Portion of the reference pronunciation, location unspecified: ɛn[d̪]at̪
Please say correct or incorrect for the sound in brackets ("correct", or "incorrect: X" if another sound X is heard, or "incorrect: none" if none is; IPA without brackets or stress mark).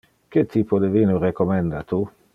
correct